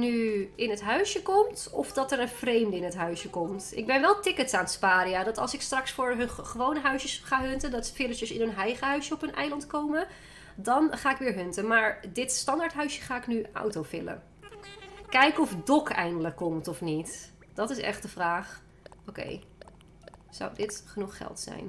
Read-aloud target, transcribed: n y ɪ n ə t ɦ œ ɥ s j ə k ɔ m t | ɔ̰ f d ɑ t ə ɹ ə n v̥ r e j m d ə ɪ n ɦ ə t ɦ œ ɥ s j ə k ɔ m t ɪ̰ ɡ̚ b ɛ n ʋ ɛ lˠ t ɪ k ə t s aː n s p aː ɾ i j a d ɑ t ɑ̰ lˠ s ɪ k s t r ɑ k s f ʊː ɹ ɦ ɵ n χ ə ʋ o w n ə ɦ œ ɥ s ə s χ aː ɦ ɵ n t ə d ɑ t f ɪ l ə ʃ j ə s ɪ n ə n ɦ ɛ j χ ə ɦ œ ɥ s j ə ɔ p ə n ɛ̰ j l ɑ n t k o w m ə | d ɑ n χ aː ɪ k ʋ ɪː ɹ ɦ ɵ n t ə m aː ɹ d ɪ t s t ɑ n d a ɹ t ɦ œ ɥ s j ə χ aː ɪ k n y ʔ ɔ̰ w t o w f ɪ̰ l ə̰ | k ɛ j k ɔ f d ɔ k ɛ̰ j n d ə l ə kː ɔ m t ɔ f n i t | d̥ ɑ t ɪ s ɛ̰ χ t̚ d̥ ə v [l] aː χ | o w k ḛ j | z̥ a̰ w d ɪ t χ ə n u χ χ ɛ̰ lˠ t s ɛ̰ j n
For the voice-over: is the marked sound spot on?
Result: no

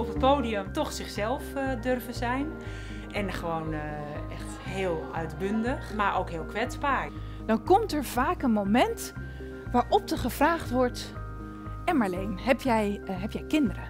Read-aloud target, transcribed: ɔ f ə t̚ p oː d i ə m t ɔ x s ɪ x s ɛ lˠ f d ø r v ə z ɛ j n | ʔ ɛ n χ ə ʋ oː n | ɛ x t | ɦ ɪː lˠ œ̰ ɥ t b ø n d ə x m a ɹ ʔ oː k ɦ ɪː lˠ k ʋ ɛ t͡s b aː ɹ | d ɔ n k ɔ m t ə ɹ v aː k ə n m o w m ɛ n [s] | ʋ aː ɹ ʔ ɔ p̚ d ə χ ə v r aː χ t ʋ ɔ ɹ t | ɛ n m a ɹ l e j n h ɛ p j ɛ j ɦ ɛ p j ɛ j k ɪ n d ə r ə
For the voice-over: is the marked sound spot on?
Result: no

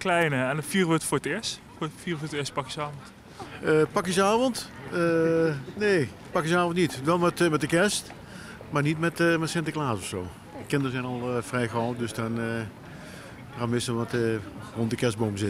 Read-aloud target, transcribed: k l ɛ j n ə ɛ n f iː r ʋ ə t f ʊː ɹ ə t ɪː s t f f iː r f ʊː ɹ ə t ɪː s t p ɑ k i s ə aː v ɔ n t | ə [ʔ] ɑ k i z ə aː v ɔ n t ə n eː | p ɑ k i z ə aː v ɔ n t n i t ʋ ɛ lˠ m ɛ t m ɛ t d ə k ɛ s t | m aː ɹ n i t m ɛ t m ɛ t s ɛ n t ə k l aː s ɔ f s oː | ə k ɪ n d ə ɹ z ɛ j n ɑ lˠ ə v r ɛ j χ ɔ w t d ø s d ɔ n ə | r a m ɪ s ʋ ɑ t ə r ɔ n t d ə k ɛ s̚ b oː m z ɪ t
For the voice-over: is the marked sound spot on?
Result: no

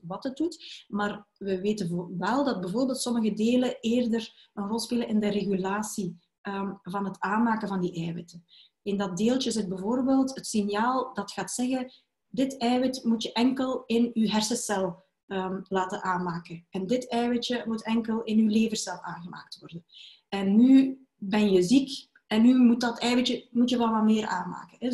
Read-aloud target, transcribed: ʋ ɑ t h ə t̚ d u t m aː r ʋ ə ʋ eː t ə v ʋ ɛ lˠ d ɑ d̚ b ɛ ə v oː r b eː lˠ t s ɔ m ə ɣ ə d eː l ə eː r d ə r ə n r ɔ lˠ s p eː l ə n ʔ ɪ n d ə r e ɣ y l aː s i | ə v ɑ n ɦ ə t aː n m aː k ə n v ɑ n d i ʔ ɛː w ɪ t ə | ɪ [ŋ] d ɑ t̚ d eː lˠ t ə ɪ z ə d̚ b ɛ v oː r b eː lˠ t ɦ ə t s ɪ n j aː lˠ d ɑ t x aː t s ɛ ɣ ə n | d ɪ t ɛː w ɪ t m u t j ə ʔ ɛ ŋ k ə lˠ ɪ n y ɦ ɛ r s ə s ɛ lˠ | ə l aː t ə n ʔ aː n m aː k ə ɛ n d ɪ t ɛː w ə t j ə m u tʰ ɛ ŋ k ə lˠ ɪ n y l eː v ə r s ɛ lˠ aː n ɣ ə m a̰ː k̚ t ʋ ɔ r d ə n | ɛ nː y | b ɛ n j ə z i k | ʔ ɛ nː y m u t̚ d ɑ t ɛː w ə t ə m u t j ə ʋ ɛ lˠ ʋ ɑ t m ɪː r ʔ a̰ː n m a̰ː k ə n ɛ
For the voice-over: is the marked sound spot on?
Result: no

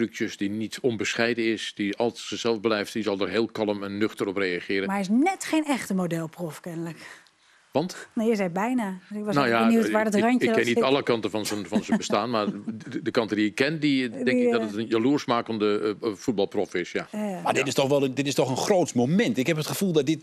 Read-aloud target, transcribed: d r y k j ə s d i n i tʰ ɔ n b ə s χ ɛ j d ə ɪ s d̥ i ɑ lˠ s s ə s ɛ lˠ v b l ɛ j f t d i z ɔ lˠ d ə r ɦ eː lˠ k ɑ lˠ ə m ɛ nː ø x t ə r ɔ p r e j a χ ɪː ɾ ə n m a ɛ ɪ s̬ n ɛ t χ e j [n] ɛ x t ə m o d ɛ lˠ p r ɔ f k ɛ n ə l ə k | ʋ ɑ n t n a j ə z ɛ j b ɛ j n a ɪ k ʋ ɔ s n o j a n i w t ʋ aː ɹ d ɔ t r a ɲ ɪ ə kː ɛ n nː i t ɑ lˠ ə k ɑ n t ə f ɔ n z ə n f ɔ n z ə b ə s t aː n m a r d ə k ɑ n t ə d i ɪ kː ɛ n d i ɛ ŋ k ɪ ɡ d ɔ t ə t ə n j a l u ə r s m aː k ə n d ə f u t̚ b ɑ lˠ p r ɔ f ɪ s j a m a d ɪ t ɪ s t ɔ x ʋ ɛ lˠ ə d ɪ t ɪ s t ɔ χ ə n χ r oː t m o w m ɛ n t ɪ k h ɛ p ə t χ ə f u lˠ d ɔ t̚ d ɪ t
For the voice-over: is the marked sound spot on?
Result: yes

